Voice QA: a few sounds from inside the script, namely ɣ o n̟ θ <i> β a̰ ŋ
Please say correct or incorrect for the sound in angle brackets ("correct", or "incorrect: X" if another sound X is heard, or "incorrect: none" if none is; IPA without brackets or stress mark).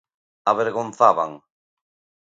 incorrect: a